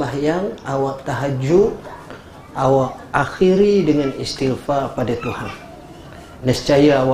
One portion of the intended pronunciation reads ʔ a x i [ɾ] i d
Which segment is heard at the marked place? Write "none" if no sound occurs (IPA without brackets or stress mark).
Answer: ɾ